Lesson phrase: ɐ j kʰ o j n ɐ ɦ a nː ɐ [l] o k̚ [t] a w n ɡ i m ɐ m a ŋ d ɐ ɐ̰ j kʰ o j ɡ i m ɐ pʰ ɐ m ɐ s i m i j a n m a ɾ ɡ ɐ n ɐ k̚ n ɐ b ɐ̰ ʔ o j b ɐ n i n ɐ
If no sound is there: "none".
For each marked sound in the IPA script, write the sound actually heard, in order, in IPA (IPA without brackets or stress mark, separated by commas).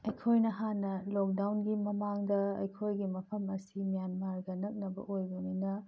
l, d